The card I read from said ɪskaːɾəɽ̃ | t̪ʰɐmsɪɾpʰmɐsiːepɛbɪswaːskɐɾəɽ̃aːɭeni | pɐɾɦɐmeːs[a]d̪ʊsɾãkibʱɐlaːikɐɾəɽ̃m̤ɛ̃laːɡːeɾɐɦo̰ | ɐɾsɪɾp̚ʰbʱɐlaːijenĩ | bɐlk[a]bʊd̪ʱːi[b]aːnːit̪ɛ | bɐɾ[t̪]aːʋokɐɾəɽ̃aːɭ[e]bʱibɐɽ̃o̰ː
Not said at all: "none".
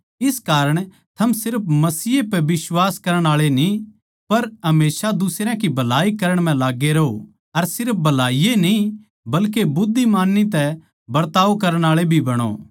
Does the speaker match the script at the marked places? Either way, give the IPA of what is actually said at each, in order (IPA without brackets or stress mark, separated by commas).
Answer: a, e, m, t̪, e